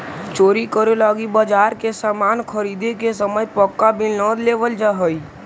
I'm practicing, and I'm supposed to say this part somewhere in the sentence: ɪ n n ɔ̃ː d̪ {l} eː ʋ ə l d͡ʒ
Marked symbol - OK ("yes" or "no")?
yes